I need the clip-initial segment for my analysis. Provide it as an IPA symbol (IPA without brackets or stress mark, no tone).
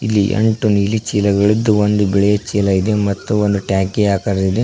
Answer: i